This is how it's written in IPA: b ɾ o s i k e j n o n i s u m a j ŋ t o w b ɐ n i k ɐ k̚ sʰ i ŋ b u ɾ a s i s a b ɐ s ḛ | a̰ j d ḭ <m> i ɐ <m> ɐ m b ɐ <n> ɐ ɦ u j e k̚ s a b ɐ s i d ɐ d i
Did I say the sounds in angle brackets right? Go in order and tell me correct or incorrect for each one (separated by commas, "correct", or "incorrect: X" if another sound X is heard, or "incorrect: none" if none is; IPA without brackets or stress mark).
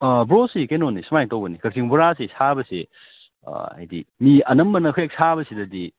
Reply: correct, incorrect: n, correct